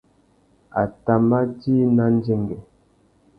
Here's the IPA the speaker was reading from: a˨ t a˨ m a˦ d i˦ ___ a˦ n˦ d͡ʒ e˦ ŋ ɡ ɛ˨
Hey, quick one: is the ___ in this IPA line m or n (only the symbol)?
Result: n